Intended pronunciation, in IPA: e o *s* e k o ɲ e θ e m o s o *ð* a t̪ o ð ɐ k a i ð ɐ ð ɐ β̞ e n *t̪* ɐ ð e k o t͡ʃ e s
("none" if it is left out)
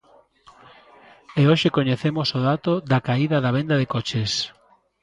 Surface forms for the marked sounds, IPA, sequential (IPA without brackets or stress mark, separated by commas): ʃ, ð, d̪